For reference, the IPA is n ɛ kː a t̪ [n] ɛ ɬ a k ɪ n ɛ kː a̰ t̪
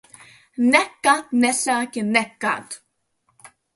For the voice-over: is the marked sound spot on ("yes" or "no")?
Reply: yes